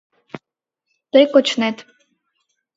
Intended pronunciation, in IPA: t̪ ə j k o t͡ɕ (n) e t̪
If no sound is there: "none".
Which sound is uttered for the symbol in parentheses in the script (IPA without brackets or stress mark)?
n